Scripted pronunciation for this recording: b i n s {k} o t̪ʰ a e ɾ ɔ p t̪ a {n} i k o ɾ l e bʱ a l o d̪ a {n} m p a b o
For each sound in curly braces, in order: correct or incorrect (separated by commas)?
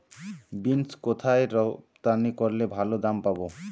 correct, correct, incorrect